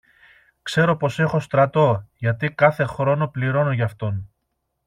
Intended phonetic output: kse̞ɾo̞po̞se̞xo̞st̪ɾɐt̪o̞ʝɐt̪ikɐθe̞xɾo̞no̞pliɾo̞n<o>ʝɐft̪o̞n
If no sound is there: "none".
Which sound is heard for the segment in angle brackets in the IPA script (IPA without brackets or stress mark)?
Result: o